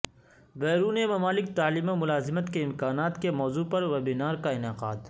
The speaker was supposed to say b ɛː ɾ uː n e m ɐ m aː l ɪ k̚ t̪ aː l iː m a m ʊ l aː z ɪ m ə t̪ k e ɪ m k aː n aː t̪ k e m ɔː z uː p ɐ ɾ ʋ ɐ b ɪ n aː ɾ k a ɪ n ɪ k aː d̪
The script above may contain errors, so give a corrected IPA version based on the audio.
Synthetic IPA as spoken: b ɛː ɾ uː n e m ɐ m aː l ɪ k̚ t̪ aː l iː m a m ʊ l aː z ɪ m ə t̪ k e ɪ m k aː n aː t̪ k e m ɔː z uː p ɐ ɾ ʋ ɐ b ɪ n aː ɾ k a ɪ n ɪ q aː d̪